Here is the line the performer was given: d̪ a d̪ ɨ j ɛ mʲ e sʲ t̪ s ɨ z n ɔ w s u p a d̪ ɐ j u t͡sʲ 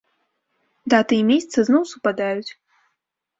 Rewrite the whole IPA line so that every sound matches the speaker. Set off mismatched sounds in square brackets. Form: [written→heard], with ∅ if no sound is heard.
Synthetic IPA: d̪ a [d̪→t̪] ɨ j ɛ mʲ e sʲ t̪ s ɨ z n ɔ w s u p a d̪ [ɐ→a] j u t͡sʲ